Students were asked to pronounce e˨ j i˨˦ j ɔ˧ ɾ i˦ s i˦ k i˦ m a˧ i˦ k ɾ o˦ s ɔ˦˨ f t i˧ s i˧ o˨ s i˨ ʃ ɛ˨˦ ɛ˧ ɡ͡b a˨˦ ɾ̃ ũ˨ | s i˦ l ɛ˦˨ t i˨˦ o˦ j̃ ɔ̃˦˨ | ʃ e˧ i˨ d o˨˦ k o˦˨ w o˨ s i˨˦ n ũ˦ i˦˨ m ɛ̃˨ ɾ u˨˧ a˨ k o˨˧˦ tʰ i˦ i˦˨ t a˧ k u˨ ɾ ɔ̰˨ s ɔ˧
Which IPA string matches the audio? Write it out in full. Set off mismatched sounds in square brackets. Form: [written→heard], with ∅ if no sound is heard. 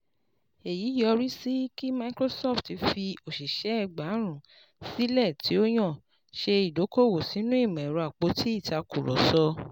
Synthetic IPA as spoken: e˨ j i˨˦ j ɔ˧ ɾ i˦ s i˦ k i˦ m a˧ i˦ k ɾ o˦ s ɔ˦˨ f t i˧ [s→f] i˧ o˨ [s→ʃ] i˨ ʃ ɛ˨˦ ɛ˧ ɡ͡b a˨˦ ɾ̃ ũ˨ | s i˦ l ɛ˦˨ t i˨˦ o˦ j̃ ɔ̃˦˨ | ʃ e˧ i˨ d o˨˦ k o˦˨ w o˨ s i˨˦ n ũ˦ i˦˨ m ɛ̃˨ ɾ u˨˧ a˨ [k→k͡p] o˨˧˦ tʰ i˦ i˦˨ t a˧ k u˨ ɾ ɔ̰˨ s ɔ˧